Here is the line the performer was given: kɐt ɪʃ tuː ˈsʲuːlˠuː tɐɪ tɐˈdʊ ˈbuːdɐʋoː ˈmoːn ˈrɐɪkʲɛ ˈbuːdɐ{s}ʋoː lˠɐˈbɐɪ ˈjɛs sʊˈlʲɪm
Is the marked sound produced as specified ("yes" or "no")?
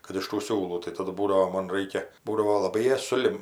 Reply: no